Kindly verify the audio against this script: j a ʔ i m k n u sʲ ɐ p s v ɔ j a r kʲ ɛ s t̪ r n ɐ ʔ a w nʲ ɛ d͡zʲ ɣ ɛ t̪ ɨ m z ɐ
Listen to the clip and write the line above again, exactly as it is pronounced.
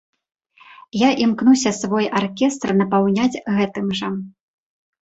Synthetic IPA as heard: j a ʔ i m k n u sʲ ɐ s v ɔ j a r kʲ ɛ s t̪ r n ɐ p a w nʲ a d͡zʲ ɣ ɛ t̪ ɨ m ʐ ɐ